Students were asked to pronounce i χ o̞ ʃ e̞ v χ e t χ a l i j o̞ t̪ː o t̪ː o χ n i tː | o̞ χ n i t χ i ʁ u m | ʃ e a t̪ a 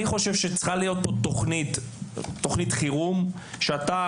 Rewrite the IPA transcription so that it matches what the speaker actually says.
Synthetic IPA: i χ o̞ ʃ e̞ v ʃ e t͡s χ a l i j o̞ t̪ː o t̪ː o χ n i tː | o̞ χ n i t χ i ʁ u m | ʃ e a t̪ a